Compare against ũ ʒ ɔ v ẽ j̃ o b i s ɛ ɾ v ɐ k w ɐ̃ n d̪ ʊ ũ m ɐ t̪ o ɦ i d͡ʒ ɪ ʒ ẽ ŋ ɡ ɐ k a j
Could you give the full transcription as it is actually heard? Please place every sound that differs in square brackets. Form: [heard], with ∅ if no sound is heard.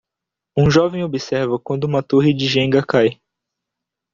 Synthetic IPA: ũ ʒ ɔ v ẽ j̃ o b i s ɛ ɾ v ɐ k w ɐ̃ n d̪ ʊ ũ m ɐ t̪ o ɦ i d͡ʒ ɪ ʒ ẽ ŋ ɡ ɐ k a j

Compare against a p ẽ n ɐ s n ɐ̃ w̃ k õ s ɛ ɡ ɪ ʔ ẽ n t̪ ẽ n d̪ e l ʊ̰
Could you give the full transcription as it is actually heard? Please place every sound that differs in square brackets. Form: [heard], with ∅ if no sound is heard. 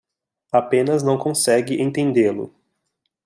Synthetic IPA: a p ẽ n ɐ [z] n ɐ̃ w̃ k õ s ɛ ɡ ɪ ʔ ẽ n t̪ ẽ n d̪ e l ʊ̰

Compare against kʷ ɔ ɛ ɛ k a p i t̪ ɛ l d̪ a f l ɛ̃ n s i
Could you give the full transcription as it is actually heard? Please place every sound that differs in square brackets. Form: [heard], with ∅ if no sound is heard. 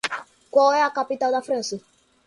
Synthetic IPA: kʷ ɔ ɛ [a] k a p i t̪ [a] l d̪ a f [ɾ] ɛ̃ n s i

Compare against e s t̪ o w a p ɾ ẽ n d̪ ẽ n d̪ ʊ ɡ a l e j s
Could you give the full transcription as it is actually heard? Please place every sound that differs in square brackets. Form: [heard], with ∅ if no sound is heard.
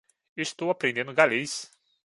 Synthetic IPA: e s t̪ o w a p ɾ ẽ n d̪ ẽ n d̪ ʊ ɡ a l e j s

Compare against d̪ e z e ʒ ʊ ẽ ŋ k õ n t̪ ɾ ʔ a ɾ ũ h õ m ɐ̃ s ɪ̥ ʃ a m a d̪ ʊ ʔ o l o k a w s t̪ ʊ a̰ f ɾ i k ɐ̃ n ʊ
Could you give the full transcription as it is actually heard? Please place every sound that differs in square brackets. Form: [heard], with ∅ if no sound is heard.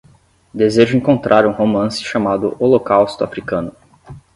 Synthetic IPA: d̪ e z e ʒ ʊ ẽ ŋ k õ n t̪ ɾ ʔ a ɾ ũ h [o] m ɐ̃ s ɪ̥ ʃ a m a d̪ ʊ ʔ o l o k a w s t̪ ʊ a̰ f ɾ i k ɐ̃ n ʊ

